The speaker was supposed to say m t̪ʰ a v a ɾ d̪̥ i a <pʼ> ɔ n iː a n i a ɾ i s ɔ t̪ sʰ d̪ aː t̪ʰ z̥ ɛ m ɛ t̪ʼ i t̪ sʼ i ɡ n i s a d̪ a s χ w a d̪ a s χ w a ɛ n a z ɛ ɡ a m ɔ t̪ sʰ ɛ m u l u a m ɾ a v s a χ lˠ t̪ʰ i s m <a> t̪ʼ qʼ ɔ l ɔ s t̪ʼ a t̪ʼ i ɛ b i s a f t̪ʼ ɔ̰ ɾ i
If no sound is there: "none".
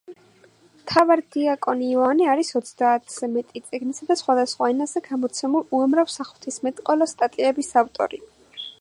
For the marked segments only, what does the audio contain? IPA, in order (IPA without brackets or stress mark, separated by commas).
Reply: kʼ, ɛ